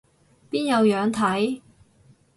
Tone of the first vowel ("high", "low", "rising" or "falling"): high